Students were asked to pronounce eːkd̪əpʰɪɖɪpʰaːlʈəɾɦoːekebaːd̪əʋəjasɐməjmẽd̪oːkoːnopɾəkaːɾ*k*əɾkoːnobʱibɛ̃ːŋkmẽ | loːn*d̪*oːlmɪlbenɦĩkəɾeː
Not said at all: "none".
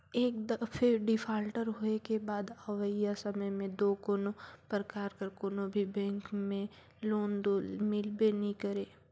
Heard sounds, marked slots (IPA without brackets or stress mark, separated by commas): k, d̪